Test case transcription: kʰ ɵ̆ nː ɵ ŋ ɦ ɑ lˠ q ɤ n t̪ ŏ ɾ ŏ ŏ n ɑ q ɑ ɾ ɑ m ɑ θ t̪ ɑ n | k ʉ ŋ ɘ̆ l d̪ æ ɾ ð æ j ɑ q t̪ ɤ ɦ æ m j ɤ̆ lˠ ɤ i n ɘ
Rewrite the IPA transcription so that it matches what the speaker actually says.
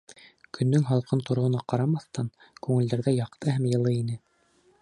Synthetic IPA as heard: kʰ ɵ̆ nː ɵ ŋ ɦ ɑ lˠ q ɤ n t̪ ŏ ɾ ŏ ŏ n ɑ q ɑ ɾ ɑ m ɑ θ t̪ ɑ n | k ʉ ŋ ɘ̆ l d̪ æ ɾ ð æ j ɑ q t̪ ɤ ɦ æ m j ɤ̆ lˠ ɤ i n ɘ